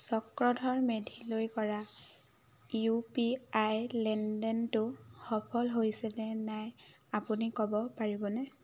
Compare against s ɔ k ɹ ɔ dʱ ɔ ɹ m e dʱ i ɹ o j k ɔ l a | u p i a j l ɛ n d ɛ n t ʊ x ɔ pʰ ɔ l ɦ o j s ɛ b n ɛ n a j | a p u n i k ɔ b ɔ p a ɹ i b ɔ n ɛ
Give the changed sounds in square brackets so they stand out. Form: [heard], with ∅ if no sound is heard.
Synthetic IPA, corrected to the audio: s ɔ k ɹ ɔ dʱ ɔ ɹ m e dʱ i [l] o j k ɔ [ɹ] a | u p i a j l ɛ n d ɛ n t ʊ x ɔ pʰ ɔ l ɦ o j s ɛ [∅] n ɛ n a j | a p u n i k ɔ b ɔ p a ɹ i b ɔ n ɛ